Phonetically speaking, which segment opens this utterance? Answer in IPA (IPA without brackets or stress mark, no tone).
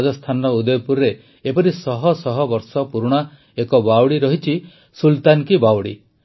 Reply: d͡ʒ